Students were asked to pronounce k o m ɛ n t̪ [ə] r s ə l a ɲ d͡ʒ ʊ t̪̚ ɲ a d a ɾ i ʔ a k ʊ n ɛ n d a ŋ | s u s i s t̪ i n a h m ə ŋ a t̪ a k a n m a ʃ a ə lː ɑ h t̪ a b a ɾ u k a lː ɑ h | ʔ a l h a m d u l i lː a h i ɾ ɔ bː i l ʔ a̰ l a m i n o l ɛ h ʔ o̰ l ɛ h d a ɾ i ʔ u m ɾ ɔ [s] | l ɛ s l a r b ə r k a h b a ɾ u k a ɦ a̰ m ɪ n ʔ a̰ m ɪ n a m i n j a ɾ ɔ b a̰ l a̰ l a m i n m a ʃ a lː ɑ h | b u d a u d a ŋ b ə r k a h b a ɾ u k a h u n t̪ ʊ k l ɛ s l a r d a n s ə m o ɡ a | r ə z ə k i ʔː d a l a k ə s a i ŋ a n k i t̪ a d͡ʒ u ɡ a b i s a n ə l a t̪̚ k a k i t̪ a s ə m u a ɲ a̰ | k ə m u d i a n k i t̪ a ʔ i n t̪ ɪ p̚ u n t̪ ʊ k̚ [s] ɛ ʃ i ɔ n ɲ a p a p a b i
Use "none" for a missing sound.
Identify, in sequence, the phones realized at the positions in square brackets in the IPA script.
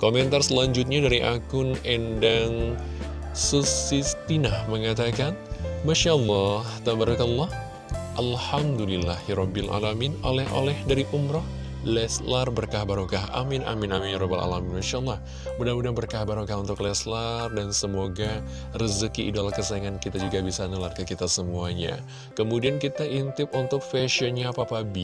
a, h, f

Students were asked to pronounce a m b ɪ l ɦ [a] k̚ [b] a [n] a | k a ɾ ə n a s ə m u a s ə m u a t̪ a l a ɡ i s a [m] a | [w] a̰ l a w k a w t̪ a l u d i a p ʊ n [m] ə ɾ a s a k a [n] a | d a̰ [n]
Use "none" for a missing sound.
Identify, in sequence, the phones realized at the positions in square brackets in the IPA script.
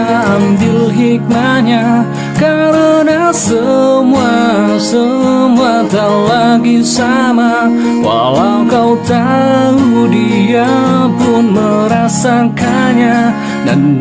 i, m, ɲ, m, w, m, ɲ, n

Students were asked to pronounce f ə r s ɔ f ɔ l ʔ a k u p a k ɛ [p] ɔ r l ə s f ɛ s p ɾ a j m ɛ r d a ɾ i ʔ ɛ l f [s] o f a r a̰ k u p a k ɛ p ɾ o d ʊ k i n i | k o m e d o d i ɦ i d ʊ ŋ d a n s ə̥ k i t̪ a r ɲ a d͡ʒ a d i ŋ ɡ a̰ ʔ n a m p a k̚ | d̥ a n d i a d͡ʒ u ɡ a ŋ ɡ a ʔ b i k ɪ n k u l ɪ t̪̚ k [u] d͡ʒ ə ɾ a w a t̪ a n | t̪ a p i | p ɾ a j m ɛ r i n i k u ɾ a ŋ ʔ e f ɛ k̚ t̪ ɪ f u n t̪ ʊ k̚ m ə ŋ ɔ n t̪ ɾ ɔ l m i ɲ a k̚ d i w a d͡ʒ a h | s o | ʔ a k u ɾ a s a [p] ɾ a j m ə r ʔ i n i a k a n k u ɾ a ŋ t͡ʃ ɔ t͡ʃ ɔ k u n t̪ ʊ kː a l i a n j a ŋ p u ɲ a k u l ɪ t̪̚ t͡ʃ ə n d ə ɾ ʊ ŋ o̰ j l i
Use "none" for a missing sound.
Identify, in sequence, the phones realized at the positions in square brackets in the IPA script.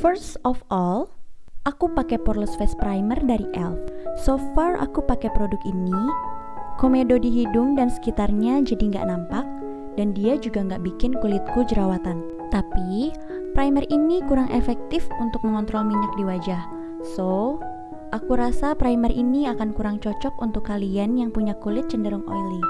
p, s, u, p

